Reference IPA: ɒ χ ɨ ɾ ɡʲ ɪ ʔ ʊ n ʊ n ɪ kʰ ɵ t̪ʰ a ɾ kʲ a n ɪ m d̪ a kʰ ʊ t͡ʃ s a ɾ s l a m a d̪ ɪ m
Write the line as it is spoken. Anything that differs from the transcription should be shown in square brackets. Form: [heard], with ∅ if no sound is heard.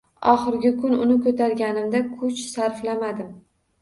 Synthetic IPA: ɒ χ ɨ ɾ ɡʲ ɪ [k] ʊ n ʊ n ɪ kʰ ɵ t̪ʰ a ɾ [ɡʲ] a n ɪ m d̪ a kʰ ʊ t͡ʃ s a ɾ [f] l a m a d̪ ɪ m